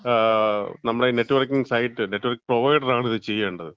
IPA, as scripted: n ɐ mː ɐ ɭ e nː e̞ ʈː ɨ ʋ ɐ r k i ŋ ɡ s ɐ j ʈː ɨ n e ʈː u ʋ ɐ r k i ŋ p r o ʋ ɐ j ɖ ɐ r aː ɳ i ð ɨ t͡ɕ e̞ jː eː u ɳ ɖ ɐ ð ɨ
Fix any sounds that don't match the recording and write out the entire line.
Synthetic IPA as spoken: n ɐ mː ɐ ɽ e n e̞ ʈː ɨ ʋ ɐ r k i ŋ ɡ s ɐ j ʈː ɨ n e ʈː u ʋ ɐ r k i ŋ p r o ʋ ɐ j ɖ ɐ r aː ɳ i ð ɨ t͡ɕ e̞ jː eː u ɳ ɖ ɐ ð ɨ